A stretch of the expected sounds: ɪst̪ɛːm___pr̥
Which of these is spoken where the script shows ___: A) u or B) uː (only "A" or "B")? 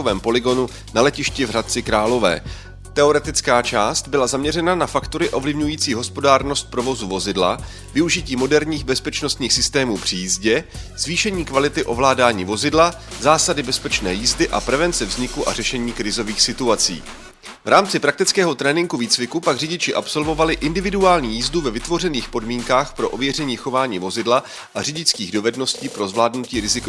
B